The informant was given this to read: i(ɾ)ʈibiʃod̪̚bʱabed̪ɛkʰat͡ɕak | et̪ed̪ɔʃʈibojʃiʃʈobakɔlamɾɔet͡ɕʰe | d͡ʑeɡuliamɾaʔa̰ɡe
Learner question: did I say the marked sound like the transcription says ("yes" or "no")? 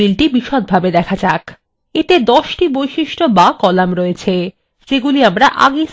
no